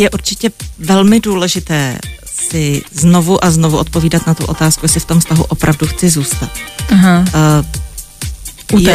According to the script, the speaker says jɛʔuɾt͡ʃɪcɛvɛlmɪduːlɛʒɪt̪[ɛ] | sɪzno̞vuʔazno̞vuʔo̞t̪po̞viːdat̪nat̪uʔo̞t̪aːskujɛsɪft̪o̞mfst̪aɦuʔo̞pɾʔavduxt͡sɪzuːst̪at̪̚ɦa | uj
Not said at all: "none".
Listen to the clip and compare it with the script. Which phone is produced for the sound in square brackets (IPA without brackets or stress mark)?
ɛː